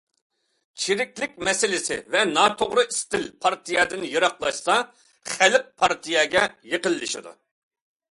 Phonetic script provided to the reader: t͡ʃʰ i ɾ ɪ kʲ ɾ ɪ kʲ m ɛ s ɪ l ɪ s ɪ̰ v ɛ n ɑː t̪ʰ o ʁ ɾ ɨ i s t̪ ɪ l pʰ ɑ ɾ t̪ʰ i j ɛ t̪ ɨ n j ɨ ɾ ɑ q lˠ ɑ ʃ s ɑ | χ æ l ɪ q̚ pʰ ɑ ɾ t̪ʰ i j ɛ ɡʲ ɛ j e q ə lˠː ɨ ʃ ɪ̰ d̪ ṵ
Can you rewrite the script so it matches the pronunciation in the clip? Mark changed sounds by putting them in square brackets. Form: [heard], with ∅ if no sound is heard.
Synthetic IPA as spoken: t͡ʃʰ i ɾ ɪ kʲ [l] ɪ kʲ m ɛ s ɪ l ɪ s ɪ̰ v ɛ n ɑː t̪ʰ o ʁ ɾ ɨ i s t̪ ɪ l pʰ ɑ ɾ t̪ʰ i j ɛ [d̪] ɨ n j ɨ ɾ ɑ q lˠ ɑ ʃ s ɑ | χ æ l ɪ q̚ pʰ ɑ ɾ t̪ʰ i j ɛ ɡʲ ɛ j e q ə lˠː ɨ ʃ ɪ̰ d̪ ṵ

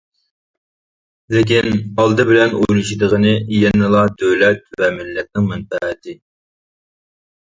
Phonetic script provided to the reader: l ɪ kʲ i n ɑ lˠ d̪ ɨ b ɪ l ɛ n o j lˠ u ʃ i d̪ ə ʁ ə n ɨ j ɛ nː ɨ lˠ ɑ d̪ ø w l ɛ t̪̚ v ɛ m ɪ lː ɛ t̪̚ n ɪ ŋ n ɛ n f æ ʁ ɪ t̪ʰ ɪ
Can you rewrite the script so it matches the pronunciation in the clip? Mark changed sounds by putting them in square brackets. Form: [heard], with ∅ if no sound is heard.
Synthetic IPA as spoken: l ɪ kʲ i n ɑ lˠ d̪ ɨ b ɪ l ɛ n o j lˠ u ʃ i d̪ ə ʁ ə n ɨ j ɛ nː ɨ lˠ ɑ d̪ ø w l ɛ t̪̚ v ɛ m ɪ lː ɛ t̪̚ n ɪ ŋ [m] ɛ n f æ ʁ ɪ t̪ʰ ɪ

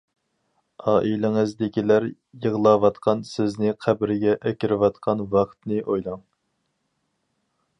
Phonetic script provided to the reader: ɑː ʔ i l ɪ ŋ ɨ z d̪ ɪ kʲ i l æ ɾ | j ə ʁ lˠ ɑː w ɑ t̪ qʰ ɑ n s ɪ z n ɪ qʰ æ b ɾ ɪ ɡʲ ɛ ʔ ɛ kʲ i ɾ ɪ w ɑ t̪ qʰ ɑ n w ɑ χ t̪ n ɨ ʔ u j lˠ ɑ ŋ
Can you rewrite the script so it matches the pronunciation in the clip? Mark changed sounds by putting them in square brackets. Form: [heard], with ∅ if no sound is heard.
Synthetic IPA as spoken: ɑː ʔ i l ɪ ŋ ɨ z d̪ ɪ kʲ i l æ ɾ | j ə ʁ lˠ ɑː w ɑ t̪ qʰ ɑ n s ɪ z n ɪ qʰ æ b ɾ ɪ ɡʲ ɛ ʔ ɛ kʲ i ɾ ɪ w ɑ t̪ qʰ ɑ n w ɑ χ t̪ n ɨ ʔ [o] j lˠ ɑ ŋ

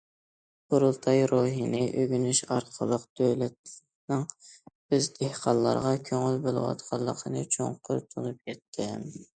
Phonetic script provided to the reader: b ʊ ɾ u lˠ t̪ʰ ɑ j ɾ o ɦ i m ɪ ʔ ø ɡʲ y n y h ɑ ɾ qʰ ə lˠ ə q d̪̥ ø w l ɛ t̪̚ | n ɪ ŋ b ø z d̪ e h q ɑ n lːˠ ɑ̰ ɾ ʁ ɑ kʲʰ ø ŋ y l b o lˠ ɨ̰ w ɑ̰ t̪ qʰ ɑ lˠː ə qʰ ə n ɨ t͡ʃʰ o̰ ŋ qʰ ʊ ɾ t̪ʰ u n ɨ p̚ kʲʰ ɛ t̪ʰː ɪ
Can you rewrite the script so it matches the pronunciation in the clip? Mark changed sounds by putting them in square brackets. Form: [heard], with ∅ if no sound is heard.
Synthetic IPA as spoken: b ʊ ɾ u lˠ t̪ʰ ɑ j ɾ o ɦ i [n] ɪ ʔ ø ɡʲ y n y [ʃ] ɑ ɾ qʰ ə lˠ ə q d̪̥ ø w l ɛ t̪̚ | n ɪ ŋ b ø z d̪ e h q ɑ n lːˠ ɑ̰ ɾ ʁ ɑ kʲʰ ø ŋ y l b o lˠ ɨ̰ w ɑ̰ t̪ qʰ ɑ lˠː ə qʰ ə n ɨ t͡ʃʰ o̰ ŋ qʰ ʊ ɾ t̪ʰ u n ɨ p̚ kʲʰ ɛ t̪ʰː ɪ

